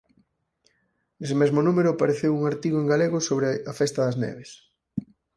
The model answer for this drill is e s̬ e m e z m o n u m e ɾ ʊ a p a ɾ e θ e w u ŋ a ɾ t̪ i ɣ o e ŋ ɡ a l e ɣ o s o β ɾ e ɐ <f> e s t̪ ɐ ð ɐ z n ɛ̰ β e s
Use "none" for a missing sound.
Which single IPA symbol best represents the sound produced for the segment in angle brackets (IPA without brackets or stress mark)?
f